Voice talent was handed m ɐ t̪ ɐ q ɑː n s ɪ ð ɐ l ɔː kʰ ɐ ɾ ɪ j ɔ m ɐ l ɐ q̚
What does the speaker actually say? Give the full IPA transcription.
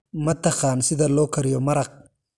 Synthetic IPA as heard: m ɐ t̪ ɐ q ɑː n s ɪ ð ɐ l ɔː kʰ ɐ ɾ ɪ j ɔ m ɐ ɾ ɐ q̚